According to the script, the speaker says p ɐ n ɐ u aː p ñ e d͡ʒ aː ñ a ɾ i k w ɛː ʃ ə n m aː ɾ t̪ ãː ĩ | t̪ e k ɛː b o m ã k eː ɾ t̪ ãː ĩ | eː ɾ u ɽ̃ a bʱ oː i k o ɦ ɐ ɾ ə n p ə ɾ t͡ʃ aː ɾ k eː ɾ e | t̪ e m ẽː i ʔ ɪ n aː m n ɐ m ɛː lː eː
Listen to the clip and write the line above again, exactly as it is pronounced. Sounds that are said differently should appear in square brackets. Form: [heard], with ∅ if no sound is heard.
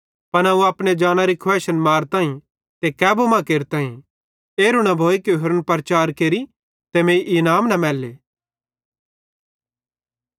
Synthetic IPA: p ɐ n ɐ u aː p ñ e d͡ʒ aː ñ a ɾ i [kʰ] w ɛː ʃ ə n m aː ɾ t̪ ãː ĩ | t̪ e k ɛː b o m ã k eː ɾ t̪ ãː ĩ | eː ɾ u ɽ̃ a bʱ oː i k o ɦ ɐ ɾ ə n p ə ɾ t͡ʃ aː ɾ k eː ɾ [i] | t̪ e m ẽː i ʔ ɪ n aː m n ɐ m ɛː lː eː